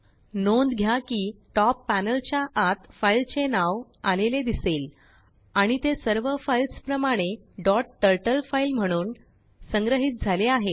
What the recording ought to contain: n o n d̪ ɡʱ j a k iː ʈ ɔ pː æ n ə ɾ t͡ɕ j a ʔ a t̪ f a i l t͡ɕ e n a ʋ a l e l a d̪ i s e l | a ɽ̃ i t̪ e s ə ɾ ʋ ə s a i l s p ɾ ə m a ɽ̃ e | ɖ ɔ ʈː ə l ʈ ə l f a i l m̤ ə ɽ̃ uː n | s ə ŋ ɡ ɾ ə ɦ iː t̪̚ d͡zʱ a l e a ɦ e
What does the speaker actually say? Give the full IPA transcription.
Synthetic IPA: n o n d̪ ɡʱ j a k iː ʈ ɔ pː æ n ə l t͡ɕ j a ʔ a t̪ f a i l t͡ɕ e n a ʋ a l e l e d̪ i s e l | a ɽ̃ i t̪ e s ə ɾ ʋ ə f a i l s p ɾ ə m a ɽ̃ e | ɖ ɔ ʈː ə ɾ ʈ ə l f a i l m̤ ə ɽ̃ uː n | s ə ŋ ɡ ɾ ə ɦ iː t̪̚ d͡zʱ a l e a ɦ e